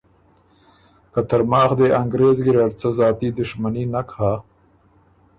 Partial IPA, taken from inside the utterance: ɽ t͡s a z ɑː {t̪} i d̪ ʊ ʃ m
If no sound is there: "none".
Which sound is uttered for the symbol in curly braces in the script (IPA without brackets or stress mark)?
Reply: t̪